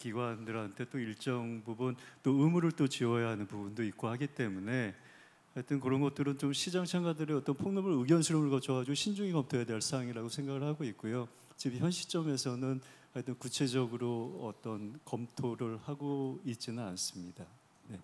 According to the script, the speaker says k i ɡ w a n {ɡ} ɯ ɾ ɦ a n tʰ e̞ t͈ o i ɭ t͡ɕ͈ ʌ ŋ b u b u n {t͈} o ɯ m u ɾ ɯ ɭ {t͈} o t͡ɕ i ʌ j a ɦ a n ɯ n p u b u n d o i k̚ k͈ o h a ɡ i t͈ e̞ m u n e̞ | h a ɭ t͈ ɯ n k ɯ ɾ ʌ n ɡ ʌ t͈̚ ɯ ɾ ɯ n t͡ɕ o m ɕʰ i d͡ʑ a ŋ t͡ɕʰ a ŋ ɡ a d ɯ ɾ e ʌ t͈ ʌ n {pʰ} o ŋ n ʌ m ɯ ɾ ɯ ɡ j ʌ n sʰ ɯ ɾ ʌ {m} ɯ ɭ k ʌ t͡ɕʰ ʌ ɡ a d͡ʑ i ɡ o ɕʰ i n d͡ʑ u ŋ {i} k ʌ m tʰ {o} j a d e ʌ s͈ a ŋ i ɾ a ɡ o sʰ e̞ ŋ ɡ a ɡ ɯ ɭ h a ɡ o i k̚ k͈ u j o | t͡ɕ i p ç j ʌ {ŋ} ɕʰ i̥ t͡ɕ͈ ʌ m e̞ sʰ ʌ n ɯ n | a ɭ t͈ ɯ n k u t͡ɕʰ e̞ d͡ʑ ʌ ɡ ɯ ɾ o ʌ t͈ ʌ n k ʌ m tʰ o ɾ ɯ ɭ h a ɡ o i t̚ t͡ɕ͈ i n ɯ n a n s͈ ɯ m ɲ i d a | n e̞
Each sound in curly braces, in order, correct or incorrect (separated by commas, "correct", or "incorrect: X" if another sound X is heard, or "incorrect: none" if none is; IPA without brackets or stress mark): incorrect: d, correct, correct, correct, correct, correct, correct, incorrect: n